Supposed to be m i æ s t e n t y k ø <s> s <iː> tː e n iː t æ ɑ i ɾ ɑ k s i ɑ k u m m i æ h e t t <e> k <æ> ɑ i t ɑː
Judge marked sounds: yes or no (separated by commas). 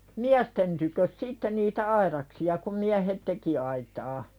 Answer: yes, no, yes, no